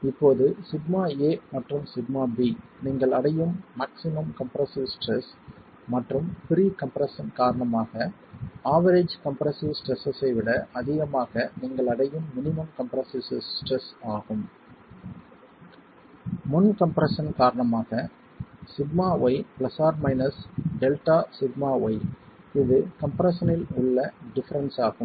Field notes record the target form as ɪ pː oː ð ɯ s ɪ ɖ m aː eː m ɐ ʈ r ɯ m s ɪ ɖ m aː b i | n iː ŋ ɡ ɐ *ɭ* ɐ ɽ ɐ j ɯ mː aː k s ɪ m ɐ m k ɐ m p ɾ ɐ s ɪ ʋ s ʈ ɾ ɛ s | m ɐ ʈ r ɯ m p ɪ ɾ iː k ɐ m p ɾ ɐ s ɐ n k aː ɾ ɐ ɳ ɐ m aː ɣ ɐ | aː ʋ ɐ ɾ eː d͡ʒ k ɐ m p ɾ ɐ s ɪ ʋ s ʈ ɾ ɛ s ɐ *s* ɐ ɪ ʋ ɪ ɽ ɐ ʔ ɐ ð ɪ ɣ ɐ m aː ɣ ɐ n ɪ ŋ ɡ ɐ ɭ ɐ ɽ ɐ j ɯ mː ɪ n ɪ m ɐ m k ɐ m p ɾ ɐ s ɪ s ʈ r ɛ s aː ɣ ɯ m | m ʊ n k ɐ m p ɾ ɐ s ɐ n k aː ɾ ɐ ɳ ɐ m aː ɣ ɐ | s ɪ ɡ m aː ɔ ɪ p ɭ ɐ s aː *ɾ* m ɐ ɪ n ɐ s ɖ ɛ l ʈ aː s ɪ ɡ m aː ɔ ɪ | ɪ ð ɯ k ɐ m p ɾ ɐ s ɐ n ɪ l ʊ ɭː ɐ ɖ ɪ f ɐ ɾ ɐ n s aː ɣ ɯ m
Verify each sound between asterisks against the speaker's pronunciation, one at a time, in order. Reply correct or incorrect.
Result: correct, correct, correct

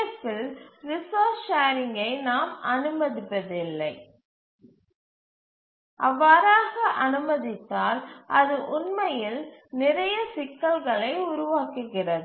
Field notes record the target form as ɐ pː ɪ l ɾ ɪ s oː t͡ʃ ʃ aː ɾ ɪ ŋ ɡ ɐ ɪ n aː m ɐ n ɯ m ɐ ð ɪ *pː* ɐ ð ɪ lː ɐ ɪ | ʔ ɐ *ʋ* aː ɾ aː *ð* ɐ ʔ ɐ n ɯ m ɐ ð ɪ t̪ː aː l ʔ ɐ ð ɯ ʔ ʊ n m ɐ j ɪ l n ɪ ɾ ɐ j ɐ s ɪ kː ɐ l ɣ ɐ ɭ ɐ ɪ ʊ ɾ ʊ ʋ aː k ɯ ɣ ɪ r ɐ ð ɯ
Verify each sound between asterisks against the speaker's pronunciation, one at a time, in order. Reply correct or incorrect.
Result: correct, incorrect, incorrect

